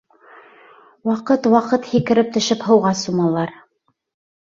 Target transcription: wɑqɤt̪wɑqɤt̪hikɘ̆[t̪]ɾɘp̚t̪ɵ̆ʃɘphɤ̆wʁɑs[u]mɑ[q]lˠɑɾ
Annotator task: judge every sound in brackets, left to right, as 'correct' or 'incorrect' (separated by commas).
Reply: incorrect, correct, incorrect